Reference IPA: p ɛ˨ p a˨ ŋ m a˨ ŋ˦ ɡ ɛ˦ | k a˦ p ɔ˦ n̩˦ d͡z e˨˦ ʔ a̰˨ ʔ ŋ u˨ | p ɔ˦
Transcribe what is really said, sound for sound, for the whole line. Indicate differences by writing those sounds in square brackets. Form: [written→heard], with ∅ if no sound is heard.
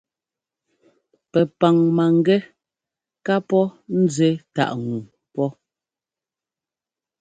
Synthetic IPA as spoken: p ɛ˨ p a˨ ŋ m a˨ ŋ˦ ɡ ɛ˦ | k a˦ p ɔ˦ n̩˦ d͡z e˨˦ [ʔ→t] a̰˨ ʔ ŋ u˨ | p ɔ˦

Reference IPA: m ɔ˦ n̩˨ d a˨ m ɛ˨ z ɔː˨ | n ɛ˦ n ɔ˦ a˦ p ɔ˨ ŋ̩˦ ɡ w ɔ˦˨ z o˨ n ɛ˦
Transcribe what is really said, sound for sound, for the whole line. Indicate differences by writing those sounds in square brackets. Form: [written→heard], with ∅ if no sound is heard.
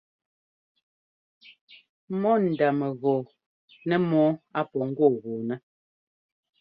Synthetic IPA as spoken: m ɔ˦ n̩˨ d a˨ m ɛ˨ [z→ɣ] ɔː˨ | n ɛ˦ [n→m] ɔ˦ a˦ p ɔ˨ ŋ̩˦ ɡ w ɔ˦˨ [z→ɣ] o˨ n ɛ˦

